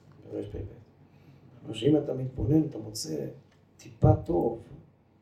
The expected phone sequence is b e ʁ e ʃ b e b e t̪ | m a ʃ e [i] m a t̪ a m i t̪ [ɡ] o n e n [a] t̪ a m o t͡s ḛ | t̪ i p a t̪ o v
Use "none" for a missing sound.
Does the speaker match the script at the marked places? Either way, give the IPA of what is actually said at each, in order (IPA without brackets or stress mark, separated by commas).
i, b, a